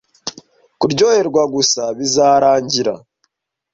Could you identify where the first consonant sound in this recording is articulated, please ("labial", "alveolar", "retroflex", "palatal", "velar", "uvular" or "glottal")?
velar